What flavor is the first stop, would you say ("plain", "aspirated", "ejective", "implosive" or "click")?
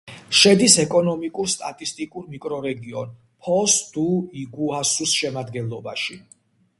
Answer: plain